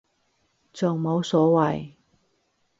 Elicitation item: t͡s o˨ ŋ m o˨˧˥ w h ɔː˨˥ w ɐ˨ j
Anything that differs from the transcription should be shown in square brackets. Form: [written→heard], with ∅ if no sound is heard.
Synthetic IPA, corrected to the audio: t͡s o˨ ŋ m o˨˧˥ w [h→s] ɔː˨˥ w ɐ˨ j